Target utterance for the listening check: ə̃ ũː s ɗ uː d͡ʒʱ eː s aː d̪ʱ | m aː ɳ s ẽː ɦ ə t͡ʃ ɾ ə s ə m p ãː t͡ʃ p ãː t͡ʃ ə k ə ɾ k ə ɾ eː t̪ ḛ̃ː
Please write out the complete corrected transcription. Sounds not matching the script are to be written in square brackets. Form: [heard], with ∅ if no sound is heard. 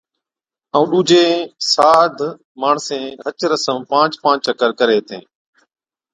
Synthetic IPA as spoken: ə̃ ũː [∅] ɗ uː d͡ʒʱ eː s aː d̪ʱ | m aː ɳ s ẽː ɦ ə t͡ʃ ɾ ə s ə m p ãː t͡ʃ p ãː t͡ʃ ə k ə ɾ k ə ɾ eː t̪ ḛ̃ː

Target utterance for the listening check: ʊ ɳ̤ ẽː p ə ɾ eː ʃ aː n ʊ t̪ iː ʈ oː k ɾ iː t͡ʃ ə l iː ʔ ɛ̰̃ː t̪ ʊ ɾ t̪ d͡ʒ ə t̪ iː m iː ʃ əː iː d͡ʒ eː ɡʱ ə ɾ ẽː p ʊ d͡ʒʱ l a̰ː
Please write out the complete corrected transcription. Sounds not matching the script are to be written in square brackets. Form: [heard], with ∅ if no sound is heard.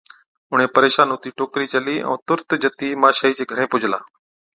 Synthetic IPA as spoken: ʊ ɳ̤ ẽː p ə ɾ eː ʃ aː n ʊ t̪ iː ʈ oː k ɾ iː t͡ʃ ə l iː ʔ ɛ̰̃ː t̪ ʊ ɾ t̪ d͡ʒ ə t̪ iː m [aː] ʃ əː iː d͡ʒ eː ɡʱ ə ɾ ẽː p ʊ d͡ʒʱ l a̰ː

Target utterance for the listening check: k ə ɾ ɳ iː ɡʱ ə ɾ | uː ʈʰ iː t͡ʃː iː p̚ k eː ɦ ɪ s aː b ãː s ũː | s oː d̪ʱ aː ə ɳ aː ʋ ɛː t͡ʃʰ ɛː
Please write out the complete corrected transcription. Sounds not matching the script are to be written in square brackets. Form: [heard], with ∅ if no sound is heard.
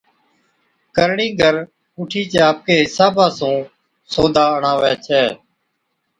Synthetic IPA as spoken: k ə ɾ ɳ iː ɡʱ ə ɾ | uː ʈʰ iː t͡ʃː [aː] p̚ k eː ɦ ɪ s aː b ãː s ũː | s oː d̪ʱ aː ə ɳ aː ʋ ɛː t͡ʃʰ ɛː

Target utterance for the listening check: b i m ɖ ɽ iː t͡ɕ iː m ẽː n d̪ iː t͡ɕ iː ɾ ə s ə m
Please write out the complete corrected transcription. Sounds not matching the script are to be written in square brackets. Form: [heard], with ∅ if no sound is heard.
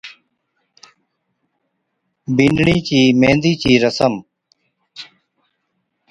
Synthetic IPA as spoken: b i [n] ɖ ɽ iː t͡ɕ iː m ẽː n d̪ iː t͡ɕ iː ɾ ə s ə m

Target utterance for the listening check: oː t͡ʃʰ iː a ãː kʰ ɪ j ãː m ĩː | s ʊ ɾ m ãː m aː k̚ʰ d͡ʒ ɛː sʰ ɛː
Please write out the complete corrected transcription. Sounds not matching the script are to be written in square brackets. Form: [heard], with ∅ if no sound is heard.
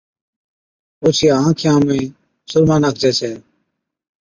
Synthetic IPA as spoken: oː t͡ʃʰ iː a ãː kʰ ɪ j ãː m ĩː | s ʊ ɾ m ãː [n] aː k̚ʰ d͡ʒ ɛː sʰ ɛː

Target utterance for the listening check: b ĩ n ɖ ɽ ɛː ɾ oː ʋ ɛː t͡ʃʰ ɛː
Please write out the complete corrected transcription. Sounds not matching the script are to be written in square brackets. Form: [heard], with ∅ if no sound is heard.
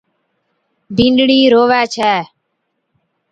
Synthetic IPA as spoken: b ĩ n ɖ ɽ [iː] ɾ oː ʋ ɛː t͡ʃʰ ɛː

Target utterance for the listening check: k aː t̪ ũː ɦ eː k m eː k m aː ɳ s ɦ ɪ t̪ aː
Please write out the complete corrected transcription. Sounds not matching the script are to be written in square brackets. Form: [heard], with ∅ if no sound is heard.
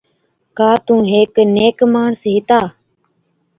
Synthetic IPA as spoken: k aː t̪ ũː ɦ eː k [n] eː k m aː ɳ s ɦ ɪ t̪ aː

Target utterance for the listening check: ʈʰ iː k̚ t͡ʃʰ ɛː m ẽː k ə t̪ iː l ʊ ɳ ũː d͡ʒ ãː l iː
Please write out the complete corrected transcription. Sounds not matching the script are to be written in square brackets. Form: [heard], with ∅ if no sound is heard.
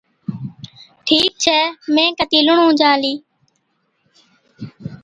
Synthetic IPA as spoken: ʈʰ iː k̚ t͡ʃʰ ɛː m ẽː k ə t̪ iː l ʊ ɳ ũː d͡ʒ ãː l iː

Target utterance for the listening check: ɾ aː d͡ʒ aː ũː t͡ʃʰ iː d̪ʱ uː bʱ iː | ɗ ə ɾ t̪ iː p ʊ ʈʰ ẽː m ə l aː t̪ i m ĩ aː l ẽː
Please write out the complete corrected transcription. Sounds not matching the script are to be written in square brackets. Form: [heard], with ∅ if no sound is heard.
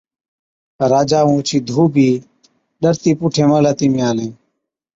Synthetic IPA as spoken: ɾ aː d͡ʒ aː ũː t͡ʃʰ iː d̪ʱ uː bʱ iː | ɗ ə ɾ t̪ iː p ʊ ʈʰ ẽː m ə l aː t̪ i m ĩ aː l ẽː

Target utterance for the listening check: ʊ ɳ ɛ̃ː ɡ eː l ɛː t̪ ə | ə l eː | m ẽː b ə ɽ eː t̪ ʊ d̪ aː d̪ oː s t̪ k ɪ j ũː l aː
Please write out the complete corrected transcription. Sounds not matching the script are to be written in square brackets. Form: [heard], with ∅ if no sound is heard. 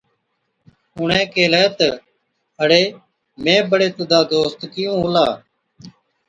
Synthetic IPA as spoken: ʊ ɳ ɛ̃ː [k] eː l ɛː t̪ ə | ə [ɽ] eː | m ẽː b ə ɽ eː t̪ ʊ d̪ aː d̪ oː s t̪ k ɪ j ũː l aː

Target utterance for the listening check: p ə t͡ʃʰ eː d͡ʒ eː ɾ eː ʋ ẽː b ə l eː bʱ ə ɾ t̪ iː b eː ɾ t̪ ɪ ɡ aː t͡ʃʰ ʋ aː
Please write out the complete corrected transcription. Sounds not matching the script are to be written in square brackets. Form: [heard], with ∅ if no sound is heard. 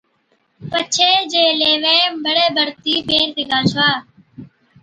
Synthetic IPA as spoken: p ə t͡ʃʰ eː d͡ʒ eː [l] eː ʋ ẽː b ə [ɽ] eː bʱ ə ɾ t̪ iː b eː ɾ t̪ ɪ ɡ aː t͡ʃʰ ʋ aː

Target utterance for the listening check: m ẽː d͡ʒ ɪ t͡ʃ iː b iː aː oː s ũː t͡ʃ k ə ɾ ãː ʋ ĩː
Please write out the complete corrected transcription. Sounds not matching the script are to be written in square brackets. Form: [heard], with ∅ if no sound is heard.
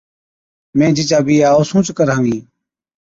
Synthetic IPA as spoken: m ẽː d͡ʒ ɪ t͡ʃ [aː] b iː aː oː s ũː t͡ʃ k ə ɾ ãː ʋ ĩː

